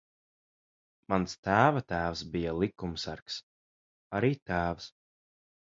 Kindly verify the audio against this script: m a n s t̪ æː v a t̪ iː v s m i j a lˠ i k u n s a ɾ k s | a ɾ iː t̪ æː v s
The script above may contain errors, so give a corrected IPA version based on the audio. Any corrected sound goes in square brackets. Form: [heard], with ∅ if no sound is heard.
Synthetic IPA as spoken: m a n s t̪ æː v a t̪ [æː] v s [b] i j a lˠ i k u [m] s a ɾ k s | a ɾ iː t̪ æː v s